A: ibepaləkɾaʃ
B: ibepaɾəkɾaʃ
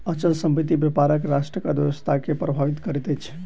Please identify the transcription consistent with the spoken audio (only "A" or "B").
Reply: B